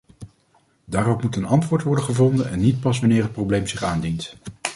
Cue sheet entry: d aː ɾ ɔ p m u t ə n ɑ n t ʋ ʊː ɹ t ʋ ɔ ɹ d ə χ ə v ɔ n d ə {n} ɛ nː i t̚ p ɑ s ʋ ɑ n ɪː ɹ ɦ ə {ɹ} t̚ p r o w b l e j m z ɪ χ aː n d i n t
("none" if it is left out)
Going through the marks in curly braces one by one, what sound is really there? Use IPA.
n, none

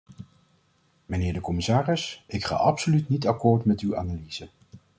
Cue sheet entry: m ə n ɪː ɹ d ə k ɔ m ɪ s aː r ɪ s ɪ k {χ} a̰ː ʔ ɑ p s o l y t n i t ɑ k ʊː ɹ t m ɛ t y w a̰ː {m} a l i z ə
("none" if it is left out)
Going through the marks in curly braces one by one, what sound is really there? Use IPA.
χ, n

